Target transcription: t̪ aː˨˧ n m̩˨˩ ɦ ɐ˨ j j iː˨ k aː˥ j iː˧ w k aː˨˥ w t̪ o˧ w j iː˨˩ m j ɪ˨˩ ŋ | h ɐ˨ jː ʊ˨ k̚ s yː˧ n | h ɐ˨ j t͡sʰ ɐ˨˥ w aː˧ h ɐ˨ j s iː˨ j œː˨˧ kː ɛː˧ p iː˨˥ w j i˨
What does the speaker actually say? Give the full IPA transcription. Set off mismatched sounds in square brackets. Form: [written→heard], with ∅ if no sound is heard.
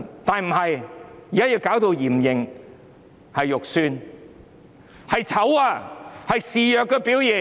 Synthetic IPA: t̪ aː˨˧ n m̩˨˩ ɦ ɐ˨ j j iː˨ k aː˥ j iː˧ w k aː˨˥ w t̪ o˧ w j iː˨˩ m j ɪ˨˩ ŋ | h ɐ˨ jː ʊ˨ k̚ s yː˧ n | h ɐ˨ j t͡sʰ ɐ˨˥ w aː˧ h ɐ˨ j s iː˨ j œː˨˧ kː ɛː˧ p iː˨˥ w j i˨